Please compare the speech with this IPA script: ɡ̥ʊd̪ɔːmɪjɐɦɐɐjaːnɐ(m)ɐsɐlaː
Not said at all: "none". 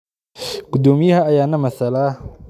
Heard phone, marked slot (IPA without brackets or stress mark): m